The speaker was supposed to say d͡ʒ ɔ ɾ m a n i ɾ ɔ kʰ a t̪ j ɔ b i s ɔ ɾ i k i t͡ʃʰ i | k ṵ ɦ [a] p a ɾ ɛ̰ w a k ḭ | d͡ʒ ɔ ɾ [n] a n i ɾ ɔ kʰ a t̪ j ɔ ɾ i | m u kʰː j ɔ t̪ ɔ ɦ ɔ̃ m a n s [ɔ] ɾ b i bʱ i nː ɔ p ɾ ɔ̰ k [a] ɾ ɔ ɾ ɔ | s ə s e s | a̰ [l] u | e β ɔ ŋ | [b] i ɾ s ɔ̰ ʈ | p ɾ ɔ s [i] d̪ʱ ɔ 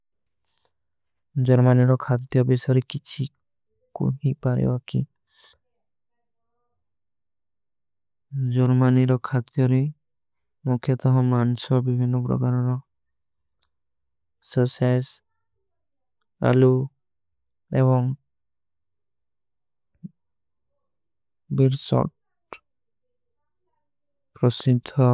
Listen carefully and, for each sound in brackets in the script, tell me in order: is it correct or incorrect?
incorrect: i, incorrect: m, correct, correct, correct, correct, correct

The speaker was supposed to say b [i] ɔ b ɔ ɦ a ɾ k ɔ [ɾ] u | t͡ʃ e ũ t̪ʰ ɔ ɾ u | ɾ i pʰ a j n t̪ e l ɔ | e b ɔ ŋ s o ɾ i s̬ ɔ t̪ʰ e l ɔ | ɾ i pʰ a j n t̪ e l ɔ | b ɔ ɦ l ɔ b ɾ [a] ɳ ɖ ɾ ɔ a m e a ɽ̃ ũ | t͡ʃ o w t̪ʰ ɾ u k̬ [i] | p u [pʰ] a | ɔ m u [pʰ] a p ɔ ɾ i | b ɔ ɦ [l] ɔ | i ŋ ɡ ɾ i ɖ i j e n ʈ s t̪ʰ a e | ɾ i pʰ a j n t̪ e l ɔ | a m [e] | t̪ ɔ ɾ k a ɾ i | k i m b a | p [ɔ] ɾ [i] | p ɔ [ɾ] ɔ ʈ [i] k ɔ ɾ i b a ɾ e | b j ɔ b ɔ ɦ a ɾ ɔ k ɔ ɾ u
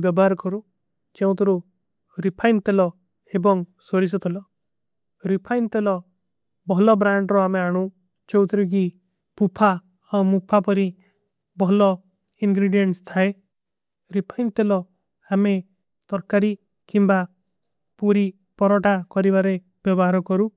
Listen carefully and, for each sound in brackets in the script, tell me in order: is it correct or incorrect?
incorrect: j, correct, correct, correct, correct, correct, correct, correct, incorrect: u, correct, correct, incorrect: a

